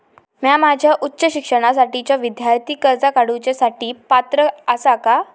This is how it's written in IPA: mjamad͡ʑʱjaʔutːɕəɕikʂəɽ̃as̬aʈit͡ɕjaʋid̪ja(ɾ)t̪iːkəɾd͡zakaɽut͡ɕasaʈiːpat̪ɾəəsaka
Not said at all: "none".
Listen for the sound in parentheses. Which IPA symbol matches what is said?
ɾ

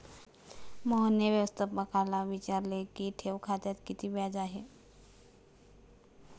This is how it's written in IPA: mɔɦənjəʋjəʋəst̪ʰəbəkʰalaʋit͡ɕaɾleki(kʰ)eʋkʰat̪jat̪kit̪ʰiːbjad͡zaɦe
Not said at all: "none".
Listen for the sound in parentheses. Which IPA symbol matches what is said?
ʈʰ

